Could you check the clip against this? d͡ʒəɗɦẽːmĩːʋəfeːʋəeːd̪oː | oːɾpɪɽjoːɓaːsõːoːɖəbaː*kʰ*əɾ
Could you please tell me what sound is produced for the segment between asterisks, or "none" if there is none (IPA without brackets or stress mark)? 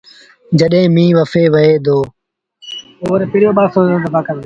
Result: k